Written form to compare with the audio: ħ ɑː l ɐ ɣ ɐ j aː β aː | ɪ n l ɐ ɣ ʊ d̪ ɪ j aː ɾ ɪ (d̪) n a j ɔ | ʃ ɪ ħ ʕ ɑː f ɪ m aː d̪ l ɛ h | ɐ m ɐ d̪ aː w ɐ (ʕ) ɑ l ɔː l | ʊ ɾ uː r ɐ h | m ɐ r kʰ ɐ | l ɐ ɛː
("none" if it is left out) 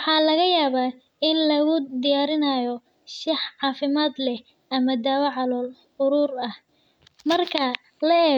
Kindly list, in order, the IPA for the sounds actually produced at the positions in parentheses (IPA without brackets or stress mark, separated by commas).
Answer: none, ʕ